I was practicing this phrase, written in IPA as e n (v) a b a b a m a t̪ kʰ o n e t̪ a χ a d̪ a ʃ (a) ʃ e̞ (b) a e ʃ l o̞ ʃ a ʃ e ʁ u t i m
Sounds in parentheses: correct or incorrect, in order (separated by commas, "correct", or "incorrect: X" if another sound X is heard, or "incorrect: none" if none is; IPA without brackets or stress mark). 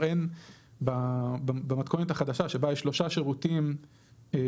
incorrect: b, correct, correct